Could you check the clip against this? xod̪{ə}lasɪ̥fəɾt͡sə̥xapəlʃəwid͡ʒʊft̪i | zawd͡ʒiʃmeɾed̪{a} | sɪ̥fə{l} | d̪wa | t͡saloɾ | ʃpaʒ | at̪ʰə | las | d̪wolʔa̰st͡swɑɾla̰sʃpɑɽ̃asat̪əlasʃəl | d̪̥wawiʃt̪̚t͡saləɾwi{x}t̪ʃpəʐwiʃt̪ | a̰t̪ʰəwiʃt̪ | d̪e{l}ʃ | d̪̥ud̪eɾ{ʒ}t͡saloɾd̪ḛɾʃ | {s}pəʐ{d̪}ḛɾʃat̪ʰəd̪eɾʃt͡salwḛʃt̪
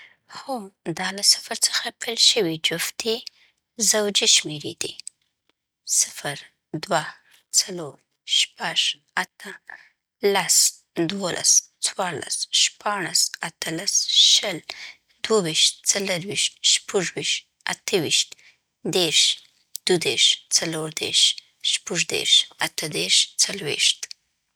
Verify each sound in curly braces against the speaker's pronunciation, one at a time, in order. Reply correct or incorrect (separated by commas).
incorrect, incorrect, incorrect, incorrect, incorrect, incorrect, incorrect, correct